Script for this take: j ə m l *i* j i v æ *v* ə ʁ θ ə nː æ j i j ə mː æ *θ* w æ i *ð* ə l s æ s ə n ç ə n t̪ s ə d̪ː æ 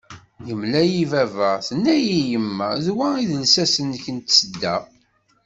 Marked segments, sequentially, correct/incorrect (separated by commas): incorrect, correct, incorrect, correct